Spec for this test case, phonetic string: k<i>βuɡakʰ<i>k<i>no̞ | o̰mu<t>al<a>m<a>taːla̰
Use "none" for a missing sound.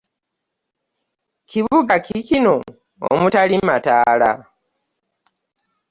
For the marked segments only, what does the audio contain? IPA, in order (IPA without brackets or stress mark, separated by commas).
i, i, i, t, i, a